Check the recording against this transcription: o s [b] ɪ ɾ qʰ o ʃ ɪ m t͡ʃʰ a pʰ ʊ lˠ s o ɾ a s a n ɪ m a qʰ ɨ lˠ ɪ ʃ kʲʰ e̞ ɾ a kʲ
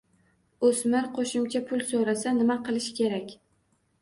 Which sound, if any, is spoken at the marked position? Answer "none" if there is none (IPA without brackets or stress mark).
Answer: m